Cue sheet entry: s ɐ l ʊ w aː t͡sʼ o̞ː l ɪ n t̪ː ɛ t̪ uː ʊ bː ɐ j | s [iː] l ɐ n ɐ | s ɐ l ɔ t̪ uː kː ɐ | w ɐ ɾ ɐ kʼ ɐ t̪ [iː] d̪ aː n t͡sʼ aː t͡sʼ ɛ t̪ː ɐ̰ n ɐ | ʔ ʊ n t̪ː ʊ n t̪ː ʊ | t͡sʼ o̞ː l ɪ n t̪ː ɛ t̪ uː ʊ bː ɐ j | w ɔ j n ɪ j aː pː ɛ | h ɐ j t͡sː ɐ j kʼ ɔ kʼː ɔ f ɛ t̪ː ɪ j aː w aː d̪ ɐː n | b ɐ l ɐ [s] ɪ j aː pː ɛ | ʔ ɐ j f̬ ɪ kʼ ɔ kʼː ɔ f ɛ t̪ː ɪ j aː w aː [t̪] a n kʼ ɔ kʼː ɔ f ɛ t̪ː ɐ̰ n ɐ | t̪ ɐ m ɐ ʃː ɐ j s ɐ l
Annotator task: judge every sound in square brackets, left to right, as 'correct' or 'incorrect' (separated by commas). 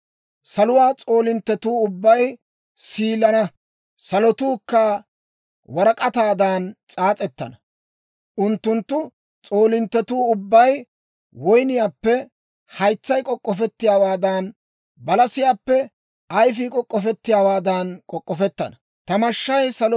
correct, incorrect, correct, incorrect